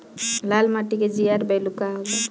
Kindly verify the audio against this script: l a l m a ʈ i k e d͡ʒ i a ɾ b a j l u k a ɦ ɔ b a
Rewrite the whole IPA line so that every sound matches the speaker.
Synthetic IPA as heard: l a l m a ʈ i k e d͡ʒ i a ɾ b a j l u k a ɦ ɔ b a